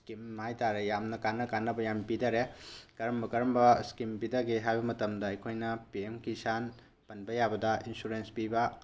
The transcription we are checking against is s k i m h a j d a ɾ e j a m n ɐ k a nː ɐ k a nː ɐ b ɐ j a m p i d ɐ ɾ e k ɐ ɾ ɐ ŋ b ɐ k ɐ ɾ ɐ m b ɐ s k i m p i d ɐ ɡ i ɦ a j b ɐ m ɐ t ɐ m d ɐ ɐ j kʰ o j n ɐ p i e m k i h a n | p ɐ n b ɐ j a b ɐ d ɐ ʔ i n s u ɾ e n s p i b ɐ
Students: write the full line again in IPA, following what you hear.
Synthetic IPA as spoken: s k i m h a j t a ɾ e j a m n ɐ k a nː ɐ k a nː ɐ b ɐ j a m p i d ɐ ɾ e k ɐ ɾ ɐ m b ɐ k ɐ ɾ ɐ m b ɐ s k i m p i d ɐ ɡ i ɦ a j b ɐ m ɐ t ɐ m d ɐ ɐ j kʰ o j n ɐ p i e m k i s a n | p ɐ n b ɐ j a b ɐ d ɐ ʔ i n s u ɾ e n s p i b ɐ